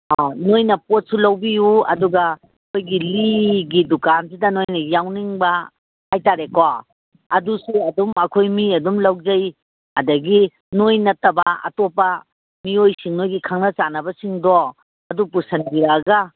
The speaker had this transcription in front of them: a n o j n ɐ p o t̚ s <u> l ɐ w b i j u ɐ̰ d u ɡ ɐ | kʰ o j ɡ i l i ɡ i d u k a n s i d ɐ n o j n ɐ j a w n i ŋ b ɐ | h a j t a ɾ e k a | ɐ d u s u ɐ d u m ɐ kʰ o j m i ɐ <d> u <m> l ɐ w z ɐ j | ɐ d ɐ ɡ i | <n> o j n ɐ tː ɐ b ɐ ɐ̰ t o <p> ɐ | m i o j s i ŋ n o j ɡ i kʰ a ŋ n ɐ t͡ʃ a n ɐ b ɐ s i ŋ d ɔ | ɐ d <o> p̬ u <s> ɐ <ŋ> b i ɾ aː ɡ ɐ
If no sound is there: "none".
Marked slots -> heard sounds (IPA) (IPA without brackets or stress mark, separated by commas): u, d, m, n, p, u, s, n